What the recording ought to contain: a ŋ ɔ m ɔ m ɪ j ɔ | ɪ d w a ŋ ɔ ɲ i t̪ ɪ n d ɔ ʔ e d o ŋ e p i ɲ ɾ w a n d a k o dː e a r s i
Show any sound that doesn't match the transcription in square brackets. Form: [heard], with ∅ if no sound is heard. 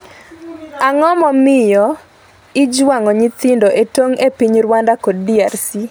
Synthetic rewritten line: a ŋ ɔ m ɔ m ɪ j ɔ | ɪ [d͡ʒ] w a ŋ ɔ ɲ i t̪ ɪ n d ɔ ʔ e [t] o ŋ e p i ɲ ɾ w a n d a k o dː [i] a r s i